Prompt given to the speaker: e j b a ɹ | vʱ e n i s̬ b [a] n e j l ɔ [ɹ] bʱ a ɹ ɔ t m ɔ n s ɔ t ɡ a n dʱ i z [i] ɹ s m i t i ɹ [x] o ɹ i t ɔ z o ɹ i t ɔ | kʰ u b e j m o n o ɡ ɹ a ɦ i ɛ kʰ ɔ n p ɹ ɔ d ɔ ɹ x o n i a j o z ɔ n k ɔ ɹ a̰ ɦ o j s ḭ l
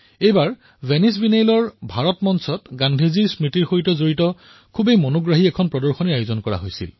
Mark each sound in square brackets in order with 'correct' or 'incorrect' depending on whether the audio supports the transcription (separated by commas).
incorrect, correct, correct, correct